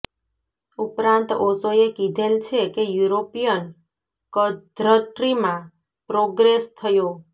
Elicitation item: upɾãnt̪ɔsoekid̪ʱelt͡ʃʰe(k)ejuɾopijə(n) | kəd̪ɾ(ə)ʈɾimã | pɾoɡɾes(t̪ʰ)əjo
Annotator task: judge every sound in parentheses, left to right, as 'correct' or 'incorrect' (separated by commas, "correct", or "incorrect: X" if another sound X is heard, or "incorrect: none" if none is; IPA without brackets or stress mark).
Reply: correct, correct, correct, correct